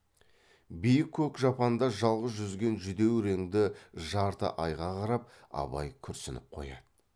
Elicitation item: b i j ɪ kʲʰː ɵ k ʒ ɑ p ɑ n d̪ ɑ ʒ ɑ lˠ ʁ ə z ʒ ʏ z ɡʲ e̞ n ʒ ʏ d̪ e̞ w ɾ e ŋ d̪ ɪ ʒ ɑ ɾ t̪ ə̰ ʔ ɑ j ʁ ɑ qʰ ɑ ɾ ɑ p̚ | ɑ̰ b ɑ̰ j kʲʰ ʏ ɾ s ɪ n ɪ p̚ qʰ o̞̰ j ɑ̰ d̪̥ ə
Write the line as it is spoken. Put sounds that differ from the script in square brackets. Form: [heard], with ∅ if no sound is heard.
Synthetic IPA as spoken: b i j ɪ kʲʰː ɵ k ʒ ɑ p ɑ n d̪ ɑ ʒ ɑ lˠ ʁ ə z ʒ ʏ z ɡʲ e̞ n ʒ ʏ d̪ e̞ w ɾ e ŋ d̪ ɪ ʒ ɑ ɾ t̪ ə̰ ʔ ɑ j ʁ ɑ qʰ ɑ ɾ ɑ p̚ | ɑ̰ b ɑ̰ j kʲʰ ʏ ɾ s ɪ n ɪ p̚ qʰ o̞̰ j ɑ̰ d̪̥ ə